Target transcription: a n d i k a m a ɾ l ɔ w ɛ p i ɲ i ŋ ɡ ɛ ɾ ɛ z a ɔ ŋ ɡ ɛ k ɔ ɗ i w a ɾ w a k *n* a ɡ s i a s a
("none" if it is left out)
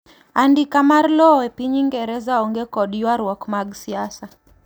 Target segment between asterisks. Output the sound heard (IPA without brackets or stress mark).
m